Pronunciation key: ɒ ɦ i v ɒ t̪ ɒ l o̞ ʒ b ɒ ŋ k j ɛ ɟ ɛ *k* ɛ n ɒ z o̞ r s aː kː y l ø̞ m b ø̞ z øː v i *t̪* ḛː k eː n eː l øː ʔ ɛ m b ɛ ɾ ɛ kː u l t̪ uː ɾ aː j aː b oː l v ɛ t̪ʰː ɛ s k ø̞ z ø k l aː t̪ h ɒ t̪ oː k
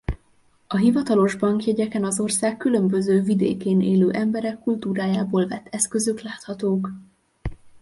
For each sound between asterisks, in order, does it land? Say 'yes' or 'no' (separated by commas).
yes, no